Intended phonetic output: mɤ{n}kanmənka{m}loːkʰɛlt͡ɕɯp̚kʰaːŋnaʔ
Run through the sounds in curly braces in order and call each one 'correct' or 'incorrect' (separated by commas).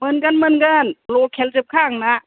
correct, incorrect